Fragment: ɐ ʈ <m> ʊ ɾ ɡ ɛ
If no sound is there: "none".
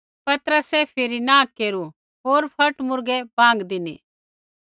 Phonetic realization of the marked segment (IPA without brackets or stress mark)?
m